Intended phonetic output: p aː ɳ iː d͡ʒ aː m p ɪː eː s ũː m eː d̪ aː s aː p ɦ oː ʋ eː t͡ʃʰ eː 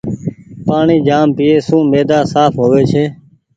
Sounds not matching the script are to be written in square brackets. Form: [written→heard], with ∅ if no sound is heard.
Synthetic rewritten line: p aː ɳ iː d͡ʒ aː m p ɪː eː s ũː m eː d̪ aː s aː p ɦ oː ʋ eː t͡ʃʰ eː